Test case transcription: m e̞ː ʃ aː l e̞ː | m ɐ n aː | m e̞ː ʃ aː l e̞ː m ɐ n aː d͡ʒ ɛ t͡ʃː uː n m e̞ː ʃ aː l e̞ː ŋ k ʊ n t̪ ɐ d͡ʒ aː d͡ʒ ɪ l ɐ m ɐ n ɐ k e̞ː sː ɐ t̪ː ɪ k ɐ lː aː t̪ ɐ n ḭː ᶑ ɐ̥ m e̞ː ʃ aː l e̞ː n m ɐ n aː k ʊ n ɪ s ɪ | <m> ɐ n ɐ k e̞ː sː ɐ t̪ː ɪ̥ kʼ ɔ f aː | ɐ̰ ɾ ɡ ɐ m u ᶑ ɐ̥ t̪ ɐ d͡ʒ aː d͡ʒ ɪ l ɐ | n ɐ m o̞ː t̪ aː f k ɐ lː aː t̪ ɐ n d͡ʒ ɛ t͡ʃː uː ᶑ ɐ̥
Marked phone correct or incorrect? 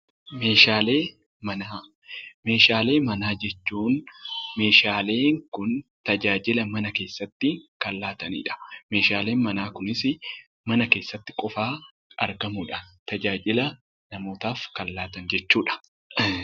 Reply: correct